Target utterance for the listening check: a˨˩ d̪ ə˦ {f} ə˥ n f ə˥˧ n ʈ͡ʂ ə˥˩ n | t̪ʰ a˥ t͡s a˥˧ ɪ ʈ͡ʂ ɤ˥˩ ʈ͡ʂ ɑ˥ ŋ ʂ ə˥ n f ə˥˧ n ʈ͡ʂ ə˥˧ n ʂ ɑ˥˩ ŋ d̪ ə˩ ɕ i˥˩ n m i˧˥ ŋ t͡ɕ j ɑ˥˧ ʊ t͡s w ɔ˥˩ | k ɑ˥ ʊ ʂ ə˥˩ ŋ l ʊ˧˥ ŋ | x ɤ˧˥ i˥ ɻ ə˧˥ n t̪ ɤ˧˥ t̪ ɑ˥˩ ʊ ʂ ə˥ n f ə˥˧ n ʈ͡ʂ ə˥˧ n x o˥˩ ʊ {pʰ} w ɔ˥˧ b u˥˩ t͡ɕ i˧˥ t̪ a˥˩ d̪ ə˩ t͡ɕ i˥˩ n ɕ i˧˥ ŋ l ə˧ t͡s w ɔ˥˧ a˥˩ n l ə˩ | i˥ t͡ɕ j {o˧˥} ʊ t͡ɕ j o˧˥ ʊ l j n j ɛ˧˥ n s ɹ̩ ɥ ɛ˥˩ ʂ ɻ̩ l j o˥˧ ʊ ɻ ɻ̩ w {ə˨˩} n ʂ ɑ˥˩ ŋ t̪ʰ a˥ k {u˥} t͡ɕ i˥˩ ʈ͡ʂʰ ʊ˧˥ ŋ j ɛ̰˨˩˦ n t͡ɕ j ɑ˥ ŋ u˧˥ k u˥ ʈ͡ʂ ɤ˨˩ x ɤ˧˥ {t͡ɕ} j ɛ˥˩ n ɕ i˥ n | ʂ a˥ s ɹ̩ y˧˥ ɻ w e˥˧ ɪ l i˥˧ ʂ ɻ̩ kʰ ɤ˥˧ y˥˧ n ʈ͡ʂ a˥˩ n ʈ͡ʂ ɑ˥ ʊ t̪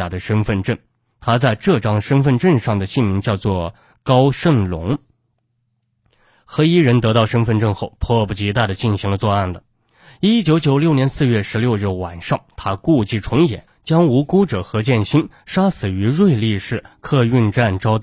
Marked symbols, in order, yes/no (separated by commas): no, yes, yes, no, no, yes